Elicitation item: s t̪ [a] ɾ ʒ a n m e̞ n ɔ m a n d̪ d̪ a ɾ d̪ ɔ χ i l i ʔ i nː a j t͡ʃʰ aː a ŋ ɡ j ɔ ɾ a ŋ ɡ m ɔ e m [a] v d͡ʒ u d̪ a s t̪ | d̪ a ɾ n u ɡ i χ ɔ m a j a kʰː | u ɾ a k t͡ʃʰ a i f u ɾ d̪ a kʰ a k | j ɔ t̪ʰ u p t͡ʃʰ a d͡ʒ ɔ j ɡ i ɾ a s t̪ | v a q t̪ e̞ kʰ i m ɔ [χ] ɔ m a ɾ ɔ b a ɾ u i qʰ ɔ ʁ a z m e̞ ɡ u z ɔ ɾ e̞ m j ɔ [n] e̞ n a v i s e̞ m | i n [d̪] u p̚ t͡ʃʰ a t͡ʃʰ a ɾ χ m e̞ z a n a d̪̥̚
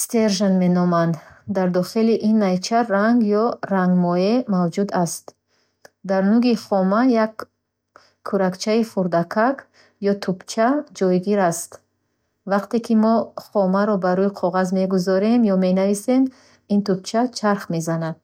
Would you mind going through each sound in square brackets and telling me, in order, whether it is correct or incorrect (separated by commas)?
incorrect, correct, correct, incorrect, incorrect